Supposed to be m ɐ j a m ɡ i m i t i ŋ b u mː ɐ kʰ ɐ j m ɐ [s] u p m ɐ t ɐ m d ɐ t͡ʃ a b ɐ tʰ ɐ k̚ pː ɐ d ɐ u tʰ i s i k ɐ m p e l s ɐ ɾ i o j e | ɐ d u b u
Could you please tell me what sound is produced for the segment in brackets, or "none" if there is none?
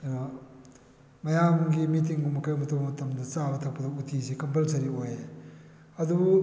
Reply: t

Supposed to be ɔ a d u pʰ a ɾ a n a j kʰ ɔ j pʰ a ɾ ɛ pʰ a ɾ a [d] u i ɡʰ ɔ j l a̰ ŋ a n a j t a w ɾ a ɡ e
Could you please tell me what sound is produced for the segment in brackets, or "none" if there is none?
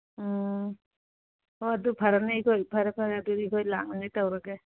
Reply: d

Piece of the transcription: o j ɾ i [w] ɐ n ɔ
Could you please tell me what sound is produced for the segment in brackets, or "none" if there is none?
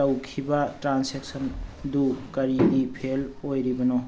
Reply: b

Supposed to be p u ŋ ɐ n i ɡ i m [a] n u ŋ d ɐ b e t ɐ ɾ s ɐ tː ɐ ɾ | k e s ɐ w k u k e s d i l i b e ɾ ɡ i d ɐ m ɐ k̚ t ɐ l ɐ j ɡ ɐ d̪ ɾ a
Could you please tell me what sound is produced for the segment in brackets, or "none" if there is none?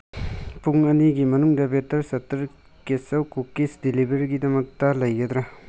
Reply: ɐ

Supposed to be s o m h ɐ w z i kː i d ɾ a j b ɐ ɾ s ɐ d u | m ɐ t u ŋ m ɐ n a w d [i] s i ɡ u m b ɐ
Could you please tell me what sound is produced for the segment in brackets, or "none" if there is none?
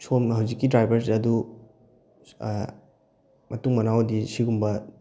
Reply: i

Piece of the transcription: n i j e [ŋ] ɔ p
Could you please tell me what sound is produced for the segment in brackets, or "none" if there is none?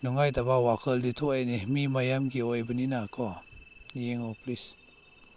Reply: ŋ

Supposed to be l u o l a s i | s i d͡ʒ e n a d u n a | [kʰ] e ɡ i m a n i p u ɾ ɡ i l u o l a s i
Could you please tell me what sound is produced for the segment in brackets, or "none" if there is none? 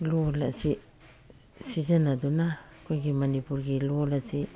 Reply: k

